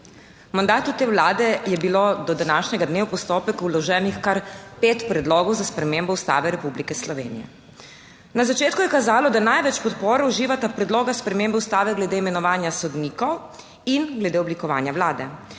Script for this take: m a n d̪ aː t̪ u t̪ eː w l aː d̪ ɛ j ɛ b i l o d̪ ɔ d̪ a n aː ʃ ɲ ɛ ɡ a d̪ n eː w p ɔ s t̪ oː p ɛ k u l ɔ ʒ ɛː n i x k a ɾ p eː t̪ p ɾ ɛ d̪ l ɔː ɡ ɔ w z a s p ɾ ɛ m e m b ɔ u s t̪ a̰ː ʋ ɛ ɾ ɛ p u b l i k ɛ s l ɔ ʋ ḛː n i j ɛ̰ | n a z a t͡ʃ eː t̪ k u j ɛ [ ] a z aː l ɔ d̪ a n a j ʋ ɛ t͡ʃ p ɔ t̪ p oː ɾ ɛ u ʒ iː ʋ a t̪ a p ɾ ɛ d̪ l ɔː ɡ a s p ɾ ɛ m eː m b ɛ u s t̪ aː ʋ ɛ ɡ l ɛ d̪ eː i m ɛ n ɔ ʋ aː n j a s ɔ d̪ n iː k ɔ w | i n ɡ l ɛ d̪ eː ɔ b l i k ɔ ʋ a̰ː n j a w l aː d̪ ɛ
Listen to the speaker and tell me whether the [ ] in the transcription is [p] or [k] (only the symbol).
k